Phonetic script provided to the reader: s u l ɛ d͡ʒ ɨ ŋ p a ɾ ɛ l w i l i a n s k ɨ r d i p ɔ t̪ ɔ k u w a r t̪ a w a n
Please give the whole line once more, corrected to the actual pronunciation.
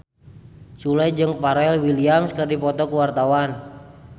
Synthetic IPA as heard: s u l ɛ d͡ʒ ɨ ŋ p a ɾ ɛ l w i l i a m s k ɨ r d i p ɔ t̪ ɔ k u w a r t̪ a w a n